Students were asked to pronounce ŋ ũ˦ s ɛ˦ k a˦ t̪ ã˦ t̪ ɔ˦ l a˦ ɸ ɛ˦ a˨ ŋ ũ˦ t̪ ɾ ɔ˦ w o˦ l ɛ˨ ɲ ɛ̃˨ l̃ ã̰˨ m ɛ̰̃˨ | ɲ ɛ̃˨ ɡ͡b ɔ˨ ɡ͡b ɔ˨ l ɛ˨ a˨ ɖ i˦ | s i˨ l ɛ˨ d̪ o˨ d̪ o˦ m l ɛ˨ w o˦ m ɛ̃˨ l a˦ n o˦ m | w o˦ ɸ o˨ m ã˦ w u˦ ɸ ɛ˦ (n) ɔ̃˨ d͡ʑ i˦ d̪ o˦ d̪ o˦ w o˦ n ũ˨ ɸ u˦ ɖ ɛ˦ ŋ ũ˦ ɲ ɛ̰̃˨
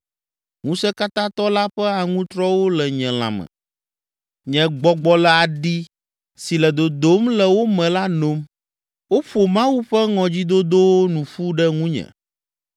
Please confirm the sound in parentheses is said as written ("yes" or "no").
no